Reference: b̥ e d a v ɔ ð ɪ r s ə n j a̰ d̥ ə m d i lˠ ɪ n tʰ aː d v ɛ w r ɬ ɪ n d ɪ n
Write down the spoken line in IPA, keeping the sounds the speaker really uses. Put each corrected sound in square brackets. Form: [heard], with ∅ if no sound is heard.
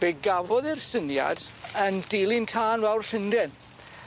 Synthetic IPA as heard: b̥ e [ɡ] a v ɔ ð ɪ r s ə n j a̰ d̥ ə [n] d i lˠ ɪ n tʰ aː [n] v ɛ w r ɬ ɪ n d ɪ n